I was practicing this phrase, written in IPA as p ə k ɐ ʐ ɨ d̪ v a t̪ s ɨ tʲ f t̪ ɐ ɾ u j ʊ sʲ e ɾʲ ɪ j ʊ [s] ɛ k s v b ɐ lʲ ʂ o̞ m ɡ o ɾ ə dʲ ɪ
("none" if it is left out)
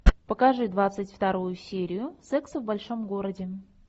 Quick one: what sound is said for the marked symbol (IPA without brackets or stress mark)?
s